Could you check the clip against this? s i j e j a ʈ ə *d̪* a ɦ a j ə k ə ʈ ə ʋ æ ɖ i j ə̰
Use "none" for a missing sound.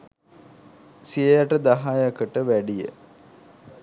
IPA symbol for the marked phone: d̪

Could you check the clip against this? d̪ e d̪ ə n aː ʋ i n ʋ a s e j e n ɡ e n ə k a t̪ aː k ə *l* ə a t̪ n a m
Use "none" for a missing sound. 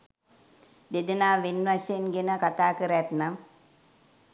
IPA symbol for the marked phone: ɾ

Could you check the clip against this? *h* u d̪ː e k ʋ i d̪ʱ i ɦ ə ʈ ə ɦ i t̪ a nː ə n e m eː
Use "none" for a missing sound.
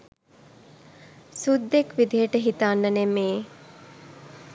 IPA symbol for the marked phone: s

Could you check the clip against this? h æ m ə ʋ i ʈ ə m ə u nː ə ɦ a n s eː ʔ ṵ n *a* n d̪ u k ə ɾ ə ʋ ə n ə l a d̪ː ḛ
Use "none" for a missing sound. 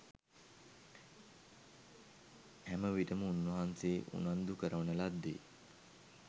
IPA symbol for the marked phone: a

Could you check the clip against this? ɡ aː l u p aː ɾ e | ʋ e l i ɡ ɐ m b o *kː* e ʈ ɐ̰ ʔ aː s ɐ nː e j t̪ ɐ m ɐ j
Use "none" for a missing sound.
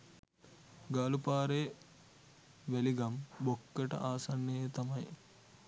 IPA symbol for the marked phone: kː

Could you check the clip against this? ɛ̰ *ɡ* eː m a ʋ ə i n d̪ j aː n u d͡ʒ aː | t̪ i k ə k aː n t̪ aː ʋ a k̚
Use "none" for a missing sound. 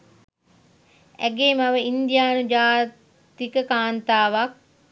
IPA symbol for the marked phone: ɡ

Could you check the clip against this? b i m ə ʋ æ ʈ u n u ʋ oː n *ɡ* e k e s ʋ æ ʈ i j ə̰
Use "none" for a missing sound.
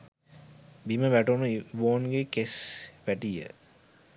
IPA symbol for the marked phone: ɡ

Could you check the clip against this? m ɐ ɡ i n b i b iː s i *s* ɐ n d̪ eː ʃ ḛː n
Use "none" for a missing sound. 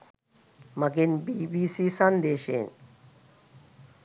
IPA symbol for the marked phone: s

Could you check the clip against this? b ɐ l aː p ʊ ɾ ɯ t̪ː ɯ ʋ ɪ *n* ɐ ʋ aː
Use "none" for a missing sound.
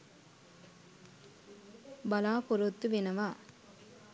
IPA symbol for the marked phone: n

